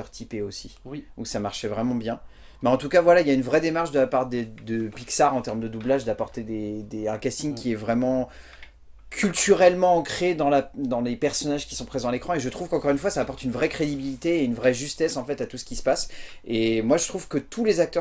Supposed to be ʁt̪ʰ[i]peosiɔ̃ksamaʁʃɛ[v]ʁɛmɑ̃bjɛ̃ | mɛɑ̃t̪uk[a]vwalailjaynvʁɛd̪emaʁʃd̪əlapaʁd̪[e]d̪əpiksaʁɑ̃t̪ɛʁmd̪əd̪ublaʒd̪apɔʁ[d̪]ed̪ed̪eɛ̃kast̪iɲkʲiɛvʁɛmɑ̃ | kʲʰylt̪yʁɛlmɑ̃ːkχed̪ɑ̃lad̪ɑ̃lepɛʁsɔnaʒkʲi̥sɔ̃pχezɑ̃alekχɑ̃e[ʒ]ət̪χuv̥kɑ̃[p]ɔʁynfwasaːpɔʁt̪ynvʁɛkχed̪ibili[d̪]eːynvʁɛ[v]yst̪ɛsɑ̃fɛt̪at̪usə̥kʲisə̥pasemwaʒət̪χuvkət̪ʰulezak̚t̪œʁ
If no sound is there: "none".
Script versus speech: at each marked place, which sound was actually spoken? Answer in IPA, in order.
i, v, a, e, t̪, ʒ, k, t̪, ʒ

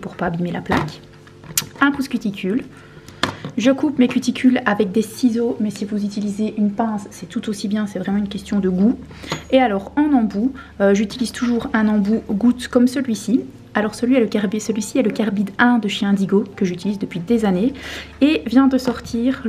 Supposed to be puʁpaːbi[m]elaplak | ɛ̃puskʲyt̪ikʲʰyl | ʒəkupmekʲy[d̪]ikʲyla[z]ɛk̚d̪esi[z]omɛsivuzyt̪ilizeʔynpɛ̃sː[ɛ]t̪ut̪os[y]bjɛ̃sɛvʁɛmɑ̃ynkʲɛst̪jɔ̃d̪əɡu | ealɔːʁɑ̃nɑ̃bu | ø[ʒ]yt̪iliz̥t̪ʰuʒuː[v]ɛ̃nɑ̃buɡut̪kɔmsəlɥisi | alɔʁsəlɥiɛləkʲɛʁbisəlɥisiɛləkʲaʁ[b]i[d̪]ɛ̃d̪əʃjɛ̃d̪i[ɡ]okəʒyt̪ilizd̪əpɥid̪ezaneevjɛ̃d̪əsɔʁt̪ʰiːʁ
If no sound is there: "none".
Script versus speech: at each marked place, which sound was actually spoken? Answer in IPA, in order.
m, t̪, v, z, ɛ, i, ʒ, ʁ, b, d̪, ɡ

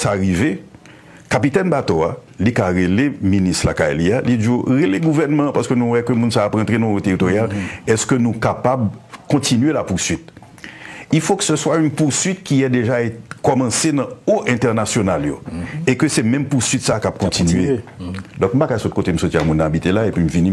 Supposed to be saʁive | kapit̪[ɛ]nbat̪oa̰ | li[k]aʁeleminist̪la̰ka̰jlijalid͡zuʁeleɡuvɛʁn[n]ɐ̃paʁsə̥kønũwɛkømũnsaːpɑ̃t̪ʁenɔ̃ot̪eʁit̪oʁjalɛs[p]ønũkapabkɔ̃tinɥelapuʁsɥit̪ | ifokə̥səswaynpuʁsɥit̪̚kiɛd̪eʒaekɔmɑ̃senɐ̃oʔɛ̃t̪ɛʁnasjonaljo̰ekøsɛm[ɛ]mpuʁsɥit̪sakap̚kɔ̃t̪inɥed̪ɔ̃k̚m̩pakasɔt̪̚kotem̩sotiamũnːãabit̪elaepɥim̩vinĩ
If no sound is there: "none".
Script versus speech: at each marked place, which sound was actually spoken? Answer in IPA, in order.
ɛ, k, m, k, ɛ̃

